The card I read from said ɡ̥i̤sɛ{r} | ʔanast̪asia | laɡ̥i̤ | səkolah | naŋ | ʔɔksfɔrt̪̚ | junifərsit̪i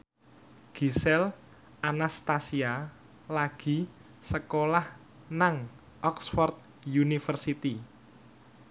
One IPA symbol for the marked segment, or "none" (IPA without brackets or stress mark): l